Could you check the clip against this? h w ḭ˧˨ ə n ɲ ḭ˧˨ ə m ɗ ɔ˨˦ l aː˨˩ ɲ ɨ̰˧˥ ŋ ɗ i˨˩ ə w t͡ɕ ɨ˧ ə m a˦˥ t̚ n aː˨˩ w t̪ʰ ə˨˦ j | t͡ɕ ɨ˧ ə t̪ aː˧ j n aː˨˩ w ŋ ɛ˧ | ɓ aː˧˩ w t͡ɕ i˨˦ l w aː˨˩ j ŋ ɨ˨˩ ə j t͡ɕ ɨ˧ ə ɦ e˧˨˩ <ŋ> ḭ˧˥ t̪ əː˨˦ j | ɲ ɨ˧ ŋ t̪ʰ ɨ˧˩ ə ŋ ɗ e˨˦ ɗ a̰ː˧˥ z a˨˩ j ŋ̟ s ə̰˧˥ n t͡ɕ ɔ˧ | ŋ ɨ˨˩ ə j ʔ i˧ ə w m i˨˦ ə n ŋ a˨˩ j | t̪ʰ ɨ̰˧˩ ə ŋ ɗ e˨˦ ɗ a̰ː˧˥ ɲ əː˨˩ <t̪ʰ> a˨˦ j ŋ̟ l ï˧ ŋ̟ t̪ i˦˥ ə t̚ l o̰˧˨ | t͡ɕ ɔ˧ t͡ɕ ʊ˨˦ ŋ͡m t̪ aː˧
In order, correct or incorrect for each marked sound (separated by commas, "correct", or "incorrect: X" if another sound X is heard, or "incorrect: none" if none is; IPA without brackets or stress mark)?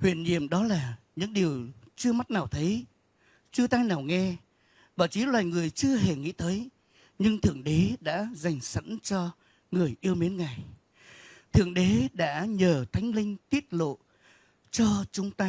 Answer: correct, correct